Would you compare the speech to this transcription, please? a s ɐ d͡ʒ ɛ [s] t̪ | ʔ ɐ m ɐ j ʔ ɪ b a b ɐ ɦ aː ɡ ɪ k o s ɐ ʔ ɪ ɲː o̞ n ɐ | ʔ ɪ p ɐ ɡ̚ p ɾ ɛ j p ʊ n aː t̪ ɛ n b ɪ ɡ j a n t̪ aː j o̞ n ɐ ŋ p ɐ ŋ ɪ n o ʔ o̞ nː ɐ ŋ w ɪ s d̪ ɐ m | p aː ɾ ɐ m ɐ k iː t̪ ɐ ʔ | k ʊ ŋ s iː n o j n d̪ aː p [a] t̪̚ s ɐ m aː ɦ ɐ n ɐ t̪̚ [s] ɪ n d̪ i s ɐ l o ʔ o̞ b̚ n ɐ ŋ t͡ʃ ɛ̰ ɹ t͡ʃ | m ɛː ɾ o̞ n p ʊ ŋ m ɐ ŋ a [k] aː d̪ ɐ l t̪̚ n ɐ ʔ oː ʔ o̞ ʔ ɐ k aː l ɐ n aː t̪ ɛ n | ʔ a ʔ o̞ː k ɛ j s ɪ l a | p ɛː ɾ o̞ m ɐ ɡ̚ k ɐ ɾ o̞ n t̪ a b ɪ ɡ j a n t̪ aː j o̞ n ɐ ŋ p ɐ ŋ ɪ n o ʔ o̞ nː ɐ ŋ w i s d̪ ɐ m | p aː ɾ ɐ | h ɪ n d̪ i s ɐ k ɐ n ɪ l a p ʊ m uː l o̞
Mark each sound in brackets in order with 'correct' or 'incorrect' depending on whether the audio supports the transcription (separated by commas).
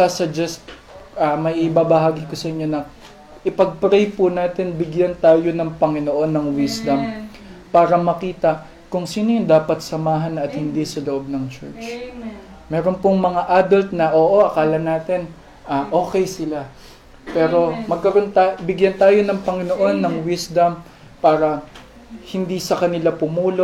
correct, incorrect, incorrect, incorrect